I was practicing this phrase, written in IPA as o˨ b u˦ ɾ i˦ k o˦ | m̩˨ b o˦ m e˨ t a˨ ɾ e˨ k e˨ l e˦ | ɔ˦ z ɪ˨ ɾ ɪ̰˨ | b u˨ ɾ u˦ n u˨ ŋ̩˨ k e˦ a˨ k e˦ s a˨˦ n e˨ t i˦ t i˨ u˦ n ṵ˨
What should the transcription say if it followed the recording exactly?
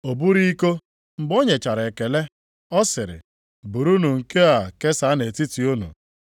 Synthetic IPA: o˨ b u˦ ɾ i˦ k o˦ | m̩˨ b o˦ ɲ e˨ t͡ʃ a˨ ɾ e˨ k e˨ l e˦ | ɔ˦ s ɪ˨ ɾ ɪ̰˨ | b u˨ ɾ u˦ n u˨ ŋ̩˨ k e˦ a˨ k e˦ s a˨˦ n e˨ t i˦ t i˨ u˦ n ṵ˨